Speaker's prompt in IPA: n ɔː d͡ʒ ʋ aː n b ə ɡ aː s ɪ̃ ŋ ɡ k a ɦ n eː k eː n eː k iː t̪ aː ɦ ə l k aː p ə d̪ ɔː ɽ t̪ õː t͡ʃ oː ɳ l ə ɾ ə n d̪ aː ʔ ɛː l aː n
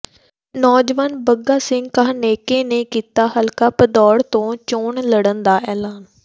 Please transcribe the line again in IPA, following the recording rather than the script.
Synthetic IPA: n ɔː d͡ʒ ʋ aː n b ə ɡ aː s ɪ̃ ŋ ɡ k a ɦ n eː k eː n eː k iː t̪ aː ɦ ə l k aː p ə d̪ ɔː ɽ t̪ õː t͡ʃ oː ɳ l ə ɽ ə n d̪ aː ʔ ɛː l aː n